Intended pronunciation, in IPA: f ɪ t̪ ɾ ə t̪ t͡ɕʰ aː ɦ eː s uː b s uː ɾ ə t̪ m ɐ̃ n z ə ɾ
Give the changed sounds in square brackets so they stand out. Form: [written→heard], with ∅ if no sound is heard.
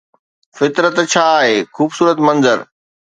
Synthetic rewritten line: f ɪ t̪ ɾ ə t̪ t͡ɕʰ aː ɦ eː [s→x] uː b s uː ɾ ə t̪ m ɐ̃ n z ə ɾ